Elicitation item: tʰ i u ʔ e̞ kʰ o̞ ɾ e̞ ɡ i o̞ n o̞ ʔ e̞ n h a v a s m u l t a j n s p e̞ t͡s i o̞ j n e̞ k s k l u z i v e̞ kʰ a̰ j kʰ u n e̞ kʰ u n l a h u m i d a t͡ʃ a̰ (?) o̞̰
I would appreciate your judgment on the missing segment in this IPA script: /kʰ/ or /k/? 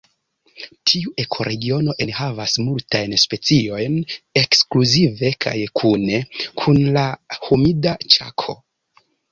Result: kʰ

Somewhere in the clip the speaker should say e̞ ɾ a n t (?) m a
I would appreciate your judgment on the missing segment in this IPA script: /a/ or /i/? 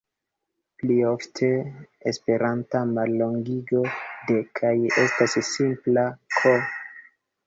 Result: a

